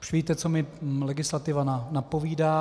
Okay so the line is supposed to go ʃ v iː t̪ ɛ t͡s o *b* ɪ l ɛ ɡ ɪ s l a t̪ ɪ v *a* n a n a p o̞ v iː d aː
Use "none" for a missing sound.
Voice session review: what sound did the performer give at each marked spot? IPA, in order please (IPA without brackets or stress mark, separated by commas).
m, a